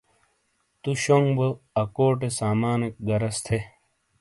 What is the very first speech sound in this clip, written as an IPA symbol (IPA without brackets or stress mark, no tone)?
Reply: t̪